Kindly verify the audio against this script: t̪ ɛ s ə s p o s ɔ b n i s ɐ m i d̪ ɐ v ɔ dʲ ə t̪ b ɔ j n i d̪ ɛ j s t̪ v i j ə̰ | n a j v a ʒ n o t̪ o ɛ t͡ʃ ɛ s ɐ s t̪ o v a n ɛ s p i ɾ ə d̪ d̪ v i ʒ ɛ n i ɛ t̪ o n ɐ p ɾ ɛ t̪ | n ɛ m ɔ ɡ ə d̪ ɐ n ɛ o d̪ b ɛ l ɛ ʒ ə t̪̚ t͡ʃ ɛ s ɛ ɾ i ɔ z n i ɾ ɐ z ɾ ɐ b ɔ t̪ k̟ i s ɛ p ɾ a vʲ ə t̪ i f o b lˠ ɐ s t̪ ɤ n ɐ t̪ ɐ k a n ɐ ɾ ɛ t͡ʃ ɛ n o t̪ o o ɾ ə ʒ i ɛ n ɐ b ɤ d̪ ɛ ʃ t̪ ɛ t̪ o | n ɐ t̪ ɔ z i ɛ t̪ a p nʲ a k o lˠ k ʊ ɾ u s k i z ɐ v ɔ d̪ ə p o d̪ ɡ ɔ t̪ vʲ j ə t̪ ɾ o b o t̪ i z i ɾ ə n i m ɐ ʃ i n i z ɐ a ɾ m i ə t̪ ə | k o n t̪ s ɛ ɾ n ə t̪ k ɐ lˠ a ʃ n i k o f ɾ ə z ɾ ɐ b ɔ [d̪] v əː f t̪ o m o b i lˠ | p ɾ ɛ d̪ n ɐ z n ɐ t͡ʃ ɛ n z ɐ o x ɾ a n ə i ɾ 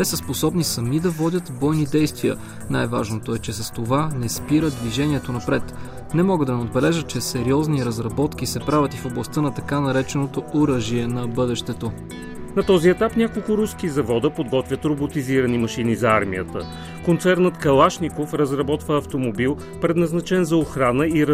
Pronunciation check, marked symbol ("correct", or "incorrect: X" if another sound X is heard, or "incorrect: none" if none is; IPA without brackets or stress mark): incorrect: t̪